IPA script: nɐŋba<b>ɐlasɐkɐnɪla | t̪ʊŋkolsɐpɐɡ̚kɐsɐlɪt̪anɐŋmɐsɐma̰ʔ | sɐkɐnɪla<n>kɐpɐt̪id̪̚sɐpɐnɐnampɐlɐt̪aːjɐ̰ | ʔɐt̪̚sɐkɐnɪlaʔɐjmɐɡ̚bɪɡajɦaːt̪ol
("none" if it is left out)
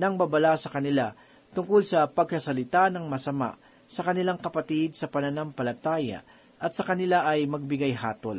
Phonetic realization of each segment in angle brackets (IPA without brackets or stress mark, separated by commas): b, ŋ